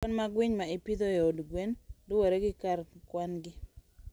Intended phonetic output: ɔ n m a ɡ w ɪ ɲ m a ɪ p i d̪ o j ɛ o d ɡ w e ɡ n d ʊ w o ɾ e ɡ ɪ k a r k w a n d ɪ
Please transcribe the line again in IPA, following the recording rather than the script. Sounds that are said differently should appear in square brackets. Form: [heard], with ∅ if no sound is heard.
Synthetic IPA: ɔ n m a ɡ w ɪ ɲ m a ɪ p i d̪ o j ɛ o d ɡ w e [∅] n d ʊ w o ɾ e ɡ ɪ k a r k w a n [ɡ] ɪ